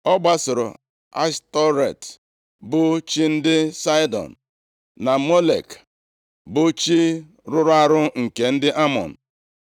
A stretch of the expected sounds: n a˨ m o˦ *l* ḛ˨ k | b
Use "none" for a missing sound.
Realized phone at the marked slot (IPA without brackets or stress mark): l